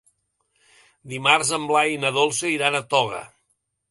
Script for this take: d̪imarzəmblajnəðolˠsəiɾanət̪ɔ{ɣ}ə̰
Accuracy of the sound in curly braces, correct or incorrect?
correct